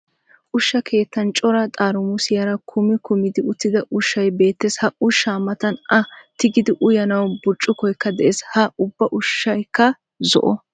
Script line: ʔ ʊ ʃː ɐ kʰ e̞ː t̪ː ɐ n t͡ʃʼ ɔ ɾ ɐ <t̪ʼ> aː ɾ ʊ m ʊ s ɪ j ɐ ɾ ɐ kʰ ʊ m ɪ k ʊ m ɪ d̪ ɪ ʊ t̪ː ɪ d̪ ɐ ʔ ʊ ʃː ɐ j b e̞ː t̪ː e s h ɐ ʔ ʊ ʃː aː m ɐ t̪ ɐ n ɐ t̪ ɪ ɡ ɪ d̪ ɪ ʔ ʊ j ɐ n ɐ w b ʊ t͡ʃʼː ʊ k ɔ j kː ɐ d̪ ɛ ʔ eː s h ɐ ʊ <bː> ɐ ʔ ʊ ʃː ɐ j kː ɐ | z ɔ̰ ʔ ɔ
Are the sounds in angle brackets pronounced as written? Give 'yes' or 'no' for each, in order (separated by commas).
yes, yes